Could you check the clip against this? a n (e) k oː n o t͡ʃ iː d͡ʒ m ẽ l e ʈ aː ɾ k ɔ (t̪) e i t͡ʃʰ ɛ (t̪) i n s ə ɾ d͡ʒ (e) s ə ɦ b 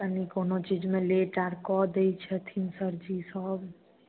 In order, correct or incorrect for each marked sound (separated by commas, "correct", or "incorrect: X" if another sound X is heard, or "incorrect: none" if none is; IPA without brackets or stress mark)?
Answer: incorrect: i, incorrect: d̪, incorrect: t̪ʰ, incorrect: i